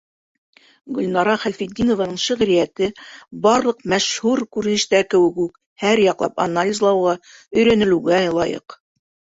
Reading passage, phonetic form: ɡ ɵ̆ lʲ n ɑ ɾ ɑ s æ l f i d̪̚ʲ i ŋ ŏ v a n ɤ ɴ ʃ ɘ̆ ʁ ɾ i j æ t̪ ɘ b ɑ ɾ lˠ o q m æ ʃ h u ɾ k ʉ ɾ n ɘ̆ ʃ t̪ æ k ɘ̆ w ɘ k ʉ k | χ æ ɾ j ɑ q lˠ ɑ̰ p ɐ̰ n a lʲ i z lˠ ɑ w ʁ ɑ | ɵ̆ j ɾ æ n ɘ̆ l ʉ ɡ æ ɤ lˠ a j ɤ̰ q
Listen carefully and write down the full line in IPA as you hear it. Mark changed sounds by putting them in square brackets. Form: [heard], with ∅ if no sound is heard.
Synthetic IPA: ɡ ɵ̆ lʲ n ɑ ɾ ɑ [χ] æ l f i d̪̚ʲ i [n] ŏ v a n ɤ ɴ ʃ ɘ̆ ʁ ɾ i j æ t̪ ɘ b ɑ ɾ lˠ [ɤ] q m æ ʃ h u ɾ k ʉ ɾ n ɘ̆ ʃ t̪ æ k ɘ̆ w ɘ k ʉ k | [h] æ ɾ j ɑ q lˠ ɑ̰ p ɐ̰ n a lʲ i z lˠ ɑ w ʁ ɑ | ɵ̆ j ɾ æ n ɘ̆ l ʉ ɡ æ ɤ lˠ [ɑ] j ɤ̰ q